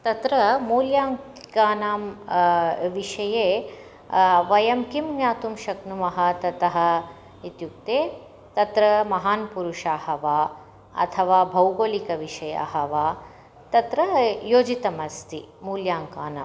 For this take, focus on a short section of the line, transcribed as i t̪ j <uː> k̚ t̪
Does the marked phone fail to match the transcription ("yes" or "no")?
yes